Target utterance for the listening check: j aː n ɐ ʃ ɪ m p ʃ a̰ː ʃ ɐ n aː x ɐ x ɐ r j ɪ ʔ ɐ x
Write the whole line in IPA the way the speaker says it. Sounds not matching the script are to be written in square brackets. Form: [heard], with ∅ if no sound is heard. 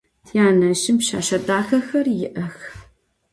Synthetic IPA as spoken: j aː n ɐ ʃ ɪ m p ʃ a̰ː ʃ ɐ [d] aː x ɐ x ɐ r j ɪ ʔ ɐ x